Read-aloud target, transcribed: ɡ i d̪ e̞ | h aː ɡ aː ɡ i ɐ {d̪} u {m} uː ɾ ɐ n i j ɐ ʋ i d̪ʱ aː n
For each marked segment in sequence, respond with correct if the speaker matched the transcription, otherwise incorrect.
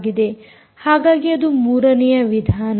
correct, correct

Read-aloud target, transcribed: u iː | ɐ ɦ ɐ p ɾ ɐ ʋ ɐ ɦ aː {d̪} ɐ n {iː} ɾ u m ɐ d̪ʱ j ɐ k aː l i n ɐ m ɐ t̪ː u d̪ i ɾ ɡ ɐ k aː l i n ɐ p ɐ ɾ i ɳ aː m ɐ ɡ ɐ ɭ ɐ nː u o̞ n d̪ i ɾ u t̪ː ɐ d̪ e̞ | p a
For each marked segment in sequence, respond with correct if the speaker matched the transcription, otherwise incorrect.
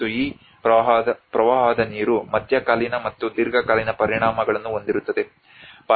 correct, correct

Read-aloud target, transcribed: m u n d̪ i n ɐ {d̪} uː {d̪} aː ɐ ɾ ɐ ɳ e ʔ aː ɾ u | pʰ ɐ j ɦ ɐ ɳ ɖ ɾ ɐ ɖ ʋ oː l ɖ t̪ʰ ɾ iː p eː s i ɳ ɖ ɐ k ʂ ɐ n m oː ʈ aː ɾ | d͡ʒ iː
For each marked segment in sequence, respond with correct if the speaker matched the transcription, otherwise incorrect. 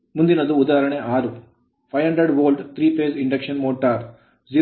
correct, correct

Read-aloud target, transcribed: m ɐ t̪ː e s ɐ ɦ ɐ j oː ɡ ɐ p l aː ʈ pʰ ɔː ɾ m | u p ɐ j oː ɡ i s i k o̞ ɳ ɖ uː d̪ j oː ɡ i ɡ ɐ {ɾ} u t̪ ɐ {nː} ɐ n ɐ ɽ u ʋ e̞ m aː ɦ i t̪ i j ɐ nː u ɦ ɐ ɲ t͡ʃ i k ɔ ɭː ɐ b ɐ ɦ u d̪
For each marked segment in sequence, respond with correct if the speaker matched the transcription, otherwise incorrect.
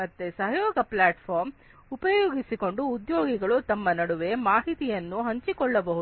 incorrect, incorrect

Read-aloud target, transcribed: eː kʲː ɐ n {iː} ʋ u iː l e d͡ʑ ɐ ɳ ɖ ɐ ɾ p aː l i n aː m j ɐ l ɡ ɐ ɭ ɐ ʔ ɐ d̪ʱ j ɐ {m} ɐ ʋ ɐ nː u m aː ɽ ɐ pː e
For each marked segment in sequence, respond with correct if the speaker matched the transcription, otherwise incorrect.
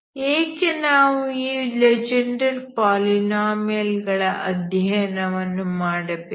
incorrect, incorrect

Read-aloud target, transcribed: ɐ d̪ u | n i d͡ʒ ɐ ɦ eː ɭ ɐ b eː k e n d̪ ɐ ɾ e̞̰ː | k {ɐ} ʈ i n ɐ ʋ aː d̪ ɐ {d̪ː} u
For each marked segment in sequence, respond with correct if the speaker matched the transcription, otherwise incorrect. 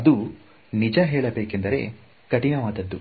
correct, correct

